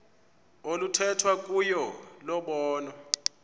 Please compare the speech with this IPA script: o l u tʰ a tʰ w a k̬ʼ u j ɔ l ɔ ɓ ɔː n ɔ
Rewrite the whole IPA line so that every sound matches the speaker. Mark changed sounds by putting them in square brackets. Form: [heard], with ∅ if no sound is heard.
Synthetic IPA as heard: o l u tʰ [ɛ] tʰ w a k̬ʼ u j ɔ l ɔ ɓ ɔː n ɔ